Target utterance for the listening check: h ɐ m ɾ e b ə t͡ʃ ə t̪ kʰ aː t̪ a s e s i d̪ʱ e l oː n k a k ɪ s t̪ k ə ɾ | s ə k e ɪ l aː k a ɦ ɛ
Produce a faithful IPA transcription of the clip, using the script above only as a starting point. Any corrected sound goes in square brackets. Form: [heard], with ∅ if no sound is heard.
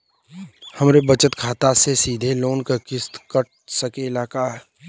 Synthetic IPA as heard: h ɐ m ɾ e b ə t͡ʃ ə t̪ kʰ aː t̪ a s e s [iː] d̪ʱ e l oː n k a k ɪ s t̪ k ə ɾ | s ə k e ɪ l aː k a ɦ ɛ